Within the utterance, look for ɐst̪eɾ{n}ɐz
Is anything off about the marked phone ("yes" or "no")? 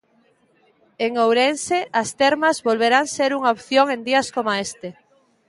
yes